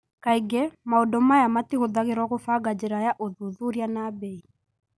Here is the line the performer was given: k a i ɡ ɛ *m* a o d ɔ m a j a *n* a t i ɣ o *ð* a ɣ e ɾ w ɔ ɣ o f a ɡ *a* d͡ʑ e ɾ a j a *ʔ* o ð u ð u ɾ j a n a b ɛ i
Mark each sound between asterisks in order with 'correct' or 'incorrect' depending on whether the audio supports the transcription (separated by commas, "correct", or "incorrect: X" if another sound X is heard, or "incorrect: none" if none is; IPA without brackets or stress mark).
correct, incorrect: m, correct, correct, correct